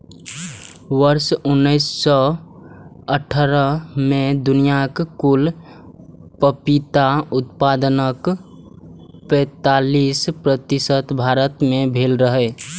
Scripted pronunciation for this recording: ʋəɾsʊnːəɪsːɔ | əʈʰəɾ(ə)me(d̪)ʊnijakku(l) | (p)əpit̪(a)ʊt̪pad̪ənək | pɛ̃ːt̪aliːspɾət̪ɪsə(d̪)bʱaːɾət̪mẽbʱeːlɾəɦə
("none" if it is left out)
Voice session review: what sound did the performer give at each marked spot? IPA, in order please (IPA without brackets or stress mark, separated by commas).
ə, d̪, l, p, a, t̪